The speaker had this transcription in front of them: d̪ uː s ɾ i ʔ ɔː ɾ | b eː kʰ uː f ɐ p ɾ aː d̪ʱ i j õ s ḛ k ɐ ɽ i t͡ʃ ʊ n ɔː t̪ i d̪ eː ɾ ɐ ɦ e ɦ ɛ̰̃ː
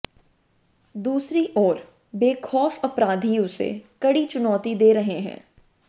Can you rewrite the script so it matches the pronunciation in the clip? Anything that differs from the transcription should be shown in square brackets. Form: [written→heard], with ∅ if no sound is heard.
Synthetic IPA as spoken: d̪ uː s ɾ i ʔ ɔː ɾ | b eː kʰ [uː→ɔː] f ɐ p ɾ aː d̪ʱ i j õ s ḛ k ɐ ɽ i t͡ʃ ʊ n ɔː t̪ i d̪ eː ɾ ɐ ɦ e ɦ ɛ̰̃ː